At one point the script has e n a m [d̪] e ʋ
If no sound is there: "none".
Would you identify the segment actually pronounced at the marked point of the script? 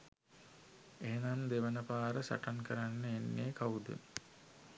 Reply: d̪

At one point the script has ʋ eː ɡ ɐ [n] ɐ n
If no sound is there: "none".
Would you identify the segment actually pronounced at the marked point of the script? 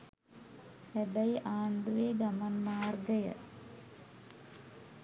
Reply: m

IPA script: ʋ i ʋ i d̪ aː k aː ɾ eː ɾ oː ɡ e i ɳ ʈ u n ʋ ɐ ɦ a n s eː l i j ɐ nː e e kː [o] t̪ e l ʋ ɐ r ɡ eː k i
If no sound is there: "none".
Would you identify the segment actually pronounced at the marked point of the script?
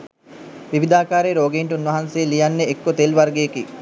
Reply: o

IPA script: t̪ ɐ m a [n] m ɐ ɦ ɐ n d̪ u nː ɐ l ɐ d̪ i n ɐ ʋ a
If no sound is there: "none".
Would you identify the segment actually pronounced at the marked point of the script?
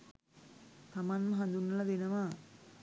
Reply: n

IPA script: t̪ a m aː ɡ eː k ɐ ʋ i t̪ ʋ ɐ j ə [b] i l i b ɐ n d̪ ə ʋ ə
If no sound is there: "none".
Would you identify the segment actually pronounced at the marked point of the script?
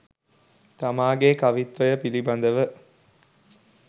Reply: p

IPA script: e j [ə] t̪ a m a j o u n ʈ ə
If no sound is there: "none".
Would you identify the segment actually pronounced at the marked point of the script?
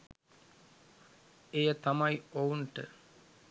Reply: ə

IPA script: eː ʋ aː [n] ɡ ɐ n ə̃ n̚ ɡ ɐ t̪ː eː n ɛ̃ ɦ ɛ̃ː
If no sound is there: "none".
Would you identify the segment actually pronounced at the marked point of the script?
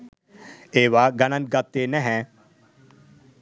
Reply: none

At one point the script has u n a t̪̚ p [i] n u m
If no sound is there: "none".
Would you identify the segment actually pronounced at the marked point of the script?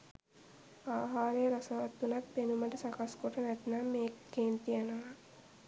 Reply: e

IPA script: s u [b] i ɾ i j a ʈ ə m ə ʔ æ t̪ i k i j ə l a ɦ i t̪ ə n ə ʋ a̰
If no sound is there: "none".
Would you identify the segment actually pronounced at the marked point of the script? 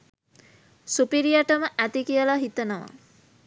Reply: p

